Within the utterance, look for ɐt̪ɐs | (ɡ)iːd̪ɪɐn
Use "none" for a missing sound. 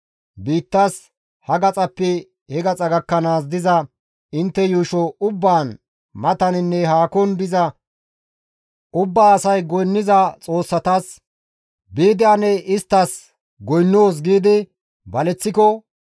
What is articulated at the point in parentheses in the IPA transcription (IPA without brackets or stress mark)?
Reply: b